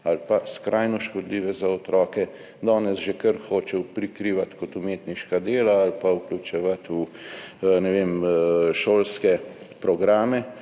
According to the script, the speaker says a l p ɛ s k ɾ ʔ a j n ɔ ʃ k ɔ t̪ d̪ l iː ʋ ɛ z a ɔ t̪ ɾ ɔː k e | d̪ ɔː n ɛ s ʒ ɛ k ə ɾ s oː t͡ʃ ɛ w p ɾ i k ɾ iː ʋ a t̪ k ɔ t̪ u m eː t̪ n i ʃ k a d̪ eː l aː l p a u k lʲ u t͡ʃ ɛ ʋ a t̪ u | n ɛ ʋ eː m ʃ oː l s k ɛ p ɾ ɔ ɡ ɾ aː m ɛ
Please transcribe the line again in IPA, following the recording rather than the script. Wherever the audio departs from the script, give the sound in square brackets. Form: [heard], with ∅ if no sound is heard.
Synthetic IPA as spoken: a l p [a] s k ɾ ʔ a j n ɔ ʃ k ɔ [∅] d̪ l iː ʋ ɛ z a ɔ t̪ ɾ ɔː k [ɛ] | d̪ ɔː n ɛ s ʒ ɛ k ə ɾ [x] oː t͡ʃ ɛ w p ɾ i k ɾ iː ʋ a t̪ k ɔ t̪ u m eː t̪ n i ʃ k a d̪ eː l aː l p a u k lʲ u t͡ʃ ɛ ʋ a t̪ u | n ɛ ʋ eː m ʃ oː l s k ɛ p ɾ ɔ ɡ ɾ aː m ɛ